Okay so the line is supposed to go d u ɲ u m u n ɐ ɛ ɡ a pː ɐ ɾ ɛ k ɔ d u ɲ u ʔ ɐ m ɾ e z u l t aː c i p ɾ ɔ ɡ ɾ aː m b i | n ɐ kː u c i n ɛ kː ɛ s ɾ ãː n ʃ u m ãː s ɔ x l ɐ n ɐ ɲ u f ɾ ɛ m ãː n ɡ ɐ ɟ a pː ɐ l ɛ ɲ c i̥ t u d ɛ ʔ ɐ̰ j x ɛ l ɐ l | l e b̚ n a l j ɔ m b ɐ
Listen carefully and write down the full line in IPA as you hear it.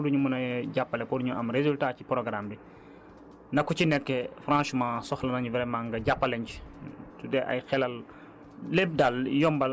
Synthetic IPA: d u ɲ u m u n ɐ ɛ ɟ a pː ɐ l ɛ k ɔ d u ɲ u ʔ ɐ m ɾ e z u l t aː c i p ɾ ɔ ɡ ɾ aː m b i | n ɐ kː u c i n ɛ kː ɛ f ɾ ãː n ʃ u m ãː s ɔ x l ɐ n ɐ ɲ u v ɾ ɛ m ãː ŋ ɡ ɐ ɟ a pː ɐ l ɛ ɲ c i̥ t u d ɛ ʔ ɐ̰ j x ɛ l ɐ l | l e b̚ d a l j ɔ m b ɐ

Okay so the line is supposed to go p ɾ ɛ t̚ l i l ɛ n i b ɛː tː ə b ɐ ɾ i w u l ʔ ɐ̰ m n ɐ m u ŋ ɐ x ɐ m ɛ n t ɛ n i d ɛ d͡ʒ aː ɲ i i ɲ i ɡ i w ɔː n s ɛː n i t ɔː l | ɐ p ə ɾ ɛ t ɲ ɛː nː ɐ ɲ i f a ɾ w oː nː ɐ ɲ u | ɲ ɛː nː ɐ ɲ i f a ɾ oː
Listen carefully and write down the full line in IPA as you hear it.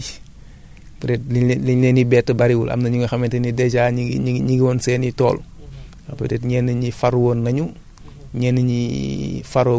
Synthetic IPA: p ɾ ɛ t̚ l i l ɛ n i b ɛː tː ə b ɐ ɾ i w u l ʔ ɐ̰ m n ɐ ɲ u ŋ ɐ x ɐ m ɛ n t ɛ n i d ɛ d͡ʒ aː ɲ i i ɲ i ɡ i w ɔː n s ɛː n i t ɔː l | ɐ p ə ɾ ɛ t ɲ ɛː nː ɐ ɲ i f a ɾ w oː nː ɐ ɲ u | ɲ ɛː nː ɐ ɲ i f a ɾ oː

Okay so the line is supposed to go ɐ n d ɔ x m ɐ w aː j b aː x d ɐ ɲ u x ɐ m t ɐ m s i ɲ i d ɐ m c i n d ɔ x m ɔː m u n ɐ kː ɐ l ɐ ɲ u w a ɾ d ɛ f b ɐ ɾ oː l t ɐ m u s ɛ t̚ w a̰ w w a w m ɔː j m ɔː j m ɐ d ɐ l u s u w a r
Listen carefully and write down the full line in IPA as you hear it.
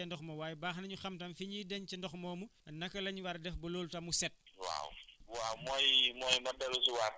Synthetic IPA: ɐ n d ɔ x m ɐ w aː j b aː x n ɐ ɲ u x ɐ m t ɐ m f i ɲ i d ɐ ɲ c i n d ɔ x m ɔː m u n ɐ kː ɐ l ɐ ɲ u w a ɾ d ɛ f b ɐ l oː l t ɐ m u s ɛ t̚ w a̰ w w a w m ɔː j m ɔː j m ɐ d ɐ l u s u w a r

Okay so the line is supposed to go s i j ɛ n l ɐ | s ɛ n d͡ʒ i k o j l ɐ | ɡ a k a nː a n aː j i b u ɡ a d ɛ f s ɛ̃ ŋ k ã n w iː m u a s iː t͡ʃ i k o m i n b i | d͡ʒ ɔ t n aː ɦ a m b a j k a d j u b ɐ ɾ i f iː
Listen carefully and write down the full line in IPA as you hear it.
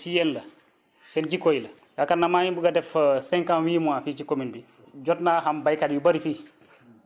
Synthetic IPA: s i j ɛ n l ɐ | s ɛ n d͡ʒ i k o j l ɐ | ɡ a k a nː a m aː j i b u ɡ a d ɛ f s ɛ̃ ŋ k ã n w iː m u a f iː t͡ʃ i k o m i n b i | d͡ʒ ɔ t n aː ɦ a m b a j k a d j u b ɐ ɾ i f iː

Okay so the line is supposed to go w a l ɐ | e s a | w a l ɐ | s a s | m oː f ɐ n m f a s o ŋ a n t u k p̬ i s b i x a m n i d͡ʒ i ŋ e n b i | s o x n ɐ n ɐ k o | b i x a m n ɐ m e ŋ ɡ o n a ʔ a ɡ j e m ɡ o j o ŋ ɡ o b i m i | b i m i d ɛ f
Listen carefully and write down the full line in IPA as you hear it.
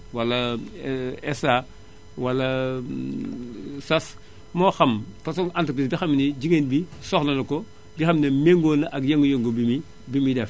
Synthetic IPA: w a l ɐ | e s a | w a l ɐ | s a s | m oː x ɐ m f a s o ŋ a n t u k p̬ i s b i x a m n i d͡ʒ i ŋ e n b i | s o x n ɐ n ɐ k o | b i x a m n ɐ m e ŋ ɡ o n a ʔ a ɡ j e ŋ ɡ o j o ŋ ɡ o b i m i | b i m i d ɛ f

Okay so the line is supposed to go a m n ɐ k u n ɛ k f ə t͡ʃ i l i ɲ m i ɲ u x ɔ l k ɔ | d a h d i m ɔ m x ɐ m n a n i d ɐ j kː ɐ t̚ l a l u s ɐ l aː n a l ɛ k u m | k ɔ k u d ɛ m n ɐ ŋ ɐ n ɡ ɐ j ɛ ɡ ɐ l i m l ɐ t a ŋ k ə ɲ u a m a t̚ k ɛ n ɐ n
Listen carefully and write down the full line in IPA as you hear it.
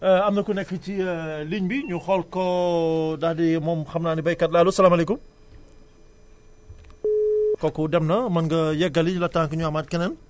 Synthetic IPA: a m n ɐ k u n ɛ k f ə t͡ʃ i l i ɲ b i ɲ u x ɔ l k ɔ | d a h d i m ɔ m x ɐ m n a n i b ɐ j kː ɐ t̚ l a l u s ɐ l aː m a l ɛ k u m | k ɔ k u d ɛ m n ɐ m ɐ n ɡ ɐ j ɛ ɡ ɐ l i ɲ l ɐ t a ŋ k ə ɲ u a m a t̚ k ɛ n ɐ n

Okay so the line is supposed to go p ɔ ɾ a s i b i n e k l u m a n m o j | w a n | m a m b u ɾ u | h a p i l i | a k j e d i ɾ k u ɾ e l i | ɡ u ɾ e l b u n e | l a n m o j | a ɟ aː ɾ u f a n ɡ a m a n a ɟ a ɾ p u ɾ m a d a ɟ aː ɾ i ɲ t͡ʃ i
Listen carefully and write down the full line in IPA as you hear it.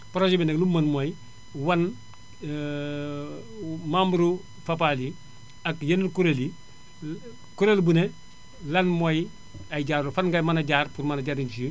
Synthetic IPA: p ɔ ɾ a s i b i n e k l u m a n m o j | w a n | m a m b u ɾ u | f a p a l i | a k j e n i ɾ k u ɾ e l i | k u ɾ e l b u n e | l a n m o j | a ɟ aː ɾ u f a n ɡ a m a n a ɟ a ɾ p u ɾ m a n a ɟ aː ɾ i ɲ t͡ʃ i

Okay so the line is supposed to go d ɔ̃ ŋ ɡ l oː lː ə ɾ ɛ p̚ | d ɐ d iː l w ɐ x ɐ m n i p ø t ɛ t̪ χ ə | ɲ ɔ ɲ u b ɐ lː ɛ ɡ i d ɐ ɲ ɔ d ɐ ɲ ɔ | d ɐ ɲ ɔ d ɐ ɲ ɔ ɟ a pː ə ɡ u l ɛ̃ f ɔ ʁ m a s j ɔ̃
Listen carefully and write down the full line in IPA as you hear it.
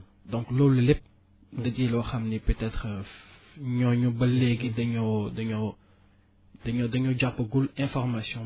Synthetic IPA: d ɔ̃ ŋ k l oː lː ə l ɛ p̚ | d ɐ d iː l w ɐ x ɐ m n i p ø t ɛ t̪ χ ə | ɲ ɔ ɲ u b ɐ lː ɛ ɡ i d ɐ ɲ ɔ d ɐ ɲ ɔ | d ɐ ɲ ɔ d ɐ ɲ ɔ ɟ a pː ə ɡ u l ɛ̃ f ɔ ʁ m a s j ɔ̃

